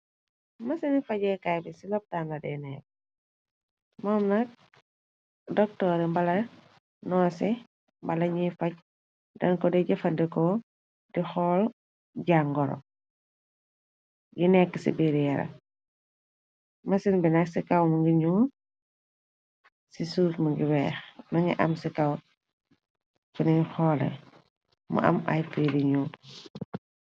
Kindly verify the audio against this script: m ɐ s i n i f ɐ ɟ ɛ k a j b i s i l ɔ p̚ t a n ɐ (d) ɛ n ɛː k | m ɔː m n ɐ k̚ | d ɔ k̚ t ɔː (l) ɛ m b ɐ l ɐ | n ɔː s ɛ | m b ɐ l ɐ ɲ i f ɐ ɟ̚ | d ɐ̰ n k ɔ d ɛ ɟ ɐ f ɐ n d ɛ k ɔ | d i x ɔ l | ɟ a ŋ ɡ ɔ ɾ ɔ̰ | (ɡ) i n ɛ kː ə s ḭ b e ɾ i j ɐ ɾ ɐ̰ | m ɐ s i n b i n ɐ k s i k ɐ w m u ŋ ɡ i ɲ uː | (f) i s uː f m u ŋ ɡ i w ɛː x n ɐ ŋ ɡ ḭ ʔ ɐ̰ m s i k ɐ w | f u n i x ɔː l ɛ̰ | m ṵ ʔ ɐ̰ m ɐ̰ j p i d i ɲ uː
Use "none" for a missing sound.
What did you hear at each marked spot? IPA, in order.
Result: d, ɾ, ɡ, s

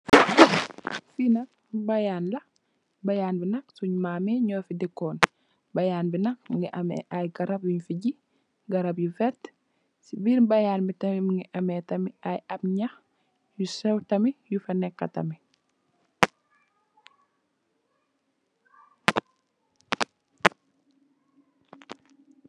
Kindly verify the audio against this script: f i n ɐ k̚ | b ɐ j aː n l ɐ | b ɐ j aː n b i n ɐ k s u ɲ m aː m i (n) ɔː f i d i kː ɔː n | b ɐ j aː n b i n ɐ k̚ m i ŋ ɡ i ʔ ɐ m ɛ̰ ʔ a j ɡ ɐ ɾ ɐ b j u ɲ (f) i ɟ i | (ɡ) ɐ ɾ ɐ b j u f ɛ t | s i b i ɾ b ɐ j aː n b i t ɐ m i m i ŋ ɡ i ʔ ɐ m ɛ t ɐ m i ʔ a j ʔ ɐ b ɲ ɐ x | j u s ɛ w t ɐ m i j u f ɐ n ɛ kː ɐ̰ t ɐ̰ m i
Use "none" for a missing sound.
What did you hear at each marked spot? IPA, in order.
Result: ɲ, f, ɡ

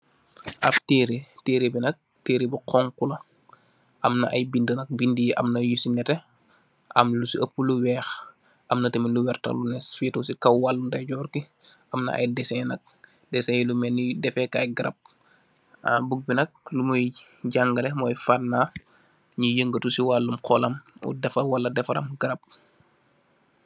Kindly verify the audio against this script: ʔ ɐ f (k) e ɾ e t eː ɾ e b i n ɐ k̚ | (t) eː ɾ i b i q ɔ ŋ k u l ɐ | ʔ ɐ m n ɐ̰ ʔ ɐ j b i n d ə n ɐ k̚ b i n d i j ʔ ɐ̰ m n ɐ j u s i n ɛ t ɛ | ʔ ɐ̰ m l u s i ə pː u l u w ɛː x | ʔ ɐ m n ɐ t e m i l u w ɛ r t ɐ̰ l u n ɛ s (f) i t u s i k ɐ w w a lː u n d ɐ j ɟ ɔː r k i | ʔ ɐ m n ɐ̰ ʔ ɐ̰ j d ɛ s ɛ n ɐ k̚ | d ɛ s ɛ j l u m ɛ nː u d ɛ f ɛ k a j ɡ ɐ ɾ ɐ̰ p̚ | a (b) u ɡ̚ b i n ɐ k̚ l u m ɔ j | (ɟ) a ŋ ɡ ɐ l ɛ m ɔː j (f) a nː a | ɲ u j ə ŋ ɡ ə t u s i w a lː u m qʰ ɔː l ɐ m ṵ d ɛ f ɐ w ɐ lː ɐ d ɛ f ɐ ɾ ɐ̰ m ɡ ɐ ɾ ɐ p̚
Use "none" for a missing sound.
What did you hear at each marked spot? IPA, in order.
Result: t, t, f, b, ɟ, f

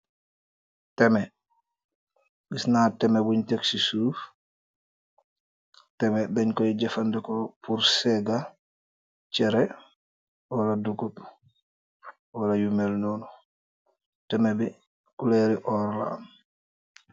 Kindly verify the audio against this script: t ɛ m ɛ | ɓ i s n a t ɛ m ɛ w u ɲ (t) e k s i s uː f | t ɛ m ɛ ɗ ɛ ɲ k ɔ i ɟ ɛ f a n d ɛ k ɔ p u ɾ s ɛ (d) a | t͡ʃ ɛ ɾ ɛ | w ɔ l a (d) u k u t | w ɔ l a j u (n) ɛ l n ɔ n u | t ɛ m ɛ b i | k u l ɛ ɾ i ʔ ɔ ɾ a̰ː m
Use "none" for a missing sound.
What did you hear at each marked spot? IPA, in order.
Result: t, ɡ, d, m

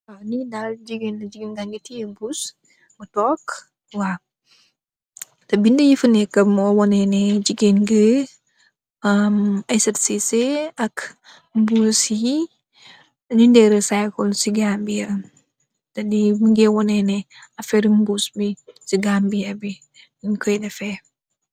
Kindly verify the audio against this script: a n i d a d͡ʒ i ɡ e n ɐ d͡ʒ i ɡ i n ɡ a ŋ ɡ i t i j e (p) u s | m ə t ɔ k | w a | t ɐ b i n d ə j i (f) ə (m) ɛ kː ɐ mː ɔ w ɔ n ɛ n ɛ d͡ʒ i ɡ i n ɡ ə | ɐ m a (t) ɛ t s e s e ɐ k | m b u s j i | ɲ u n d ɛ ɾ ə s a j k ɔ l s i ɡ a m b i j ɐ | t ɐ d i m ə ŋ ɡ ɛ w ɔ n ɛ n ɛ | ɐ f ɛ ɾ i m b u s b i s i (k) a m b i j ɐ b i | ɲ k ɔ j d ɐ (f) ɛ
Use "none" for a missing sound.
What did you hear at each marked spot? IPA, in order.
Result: b, f, n, s, ɡ, f

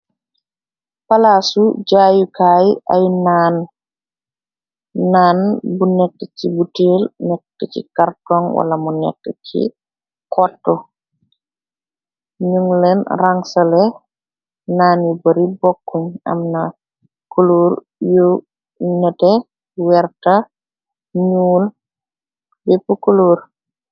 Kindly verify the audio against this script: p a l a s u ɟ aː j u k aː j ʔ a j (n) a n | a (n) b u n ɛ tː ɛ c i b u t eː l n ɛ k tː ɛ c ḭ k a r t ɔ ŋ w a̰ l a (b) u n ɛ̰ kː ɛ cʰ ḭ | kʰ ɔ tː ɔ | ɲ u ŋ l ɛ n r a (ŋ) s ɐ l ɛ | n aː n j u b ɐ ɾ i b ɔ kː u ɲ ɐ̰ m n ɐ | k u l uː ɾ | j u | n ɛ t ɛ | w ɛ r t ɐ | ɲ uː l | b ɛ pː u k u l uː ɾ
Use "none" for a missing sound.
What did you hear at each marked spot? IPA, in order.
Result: n, n, m, ŋ

